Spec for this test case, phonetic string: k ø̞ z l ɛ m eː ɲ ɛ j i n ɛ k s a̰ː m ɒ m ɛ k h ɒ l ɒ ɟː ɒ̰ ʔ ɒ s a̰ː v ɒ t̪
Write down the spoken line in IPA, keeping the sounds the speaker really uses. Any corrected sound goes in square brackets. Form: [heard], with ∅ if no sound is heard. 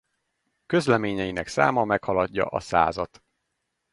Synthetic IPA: k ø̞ z l ɛ m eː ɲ ɛ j i n ɛ k s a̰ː m ɒ m ɛ k h ɒ l ɒ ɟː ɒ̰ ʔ ɒ s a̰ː [z] ɒ t̪